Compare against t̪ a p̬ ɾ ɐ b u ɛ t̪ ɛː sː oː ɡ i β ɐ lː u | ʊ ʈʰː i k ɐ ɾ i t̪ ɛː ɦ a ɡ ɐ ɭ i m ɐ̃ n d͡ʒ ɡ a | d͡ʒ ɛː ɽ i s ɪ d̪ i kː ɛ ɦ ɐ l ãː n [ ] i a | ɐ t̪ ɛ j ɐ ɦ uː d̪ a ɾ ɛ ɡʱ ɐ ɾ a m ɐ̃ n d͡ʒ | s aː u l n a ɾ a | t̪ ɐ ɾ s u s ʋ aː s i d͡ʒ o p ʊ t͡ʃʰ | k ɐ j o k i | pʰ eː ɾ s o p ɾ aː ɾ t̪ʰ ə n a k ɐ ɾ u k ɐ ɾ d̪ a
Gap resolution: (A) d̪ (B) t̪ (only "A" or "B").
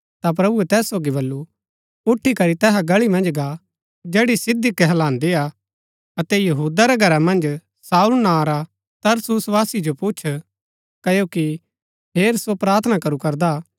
A